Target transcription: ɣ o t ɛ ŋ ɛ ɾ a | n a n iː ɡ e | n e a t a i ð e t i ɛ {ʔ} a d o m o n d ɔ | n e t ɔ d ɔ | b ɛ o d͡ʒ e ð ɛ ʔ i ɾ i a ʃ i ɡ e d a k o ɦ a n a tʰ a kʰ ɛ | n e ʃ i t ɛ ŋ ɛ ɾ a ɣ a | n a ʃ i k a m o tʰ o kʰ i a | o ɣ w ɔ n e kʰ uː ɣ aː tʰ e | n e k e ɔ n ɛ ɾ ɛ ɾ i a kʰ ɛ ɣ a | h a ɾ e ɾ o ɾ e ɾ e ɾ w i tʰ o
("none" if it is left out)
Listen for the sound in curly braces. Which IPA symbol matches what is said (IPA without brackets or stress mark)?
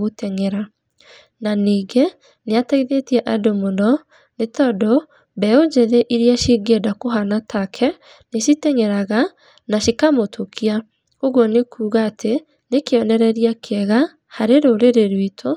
ʔ